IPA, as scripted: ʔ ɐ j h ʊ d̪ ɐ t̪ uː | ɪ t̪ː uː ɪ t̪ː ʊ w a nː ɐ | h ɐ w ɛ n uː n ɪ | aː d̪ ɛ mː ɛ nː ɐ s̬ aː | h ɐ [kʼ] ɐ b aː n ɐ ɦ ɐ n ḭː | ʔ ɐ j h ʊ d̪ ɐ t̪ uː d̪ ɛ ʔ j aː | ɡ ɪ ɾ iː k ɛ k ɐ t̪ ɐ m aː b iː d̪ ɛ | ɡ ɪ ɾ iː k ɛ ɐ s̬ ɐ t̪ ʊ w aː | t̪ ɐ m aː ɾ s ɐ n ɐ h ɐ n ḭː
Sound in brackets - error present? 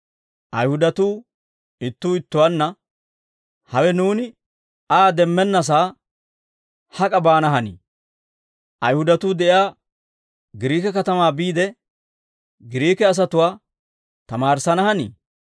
no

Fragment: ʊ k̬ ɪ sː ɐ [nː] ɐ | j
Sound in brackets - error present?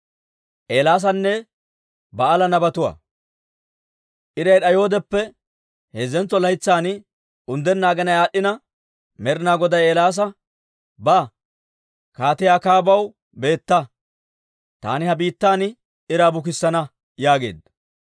yes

